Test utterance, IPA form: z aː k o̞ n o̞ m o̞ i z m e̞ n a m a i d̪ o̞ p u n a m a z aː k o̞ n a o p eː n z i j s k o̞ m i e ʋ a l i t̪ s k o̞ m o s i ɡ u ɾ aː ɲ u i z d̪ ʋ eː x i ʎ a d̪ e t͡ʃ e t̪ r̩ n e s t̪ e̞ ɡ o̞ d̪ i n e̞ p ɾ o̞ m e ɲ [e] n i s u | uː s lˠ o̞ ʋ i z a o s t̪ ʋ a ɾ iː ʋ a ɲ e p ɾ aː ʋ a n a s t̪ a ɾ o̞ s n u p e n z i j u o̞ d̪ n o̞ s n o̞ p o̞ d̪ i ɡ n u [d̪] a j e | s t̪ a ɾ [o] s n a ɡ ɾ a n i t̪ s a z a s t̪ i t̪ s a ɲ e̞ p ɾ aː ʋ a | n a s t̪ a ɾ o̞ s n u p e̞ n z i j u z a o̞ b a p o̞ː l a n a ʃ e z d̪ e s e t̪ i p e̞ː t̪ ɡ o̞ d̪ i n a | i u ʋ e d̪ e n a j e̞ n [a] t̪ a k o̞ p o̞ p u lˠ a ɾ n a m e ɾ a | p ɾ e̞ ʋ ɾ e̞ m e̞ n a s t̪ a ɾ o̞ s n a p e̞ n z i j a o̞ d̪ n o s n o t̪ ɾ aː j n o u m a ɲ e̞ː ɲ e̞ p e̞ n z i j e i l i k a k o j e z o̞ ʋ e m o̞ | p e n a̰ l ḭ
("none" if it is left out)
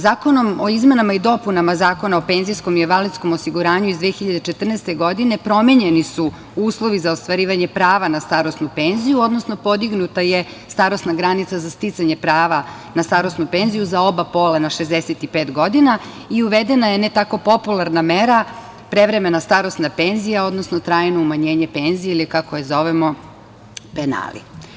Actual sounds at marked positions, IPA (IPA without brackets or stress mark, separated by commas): e, t̪, o, e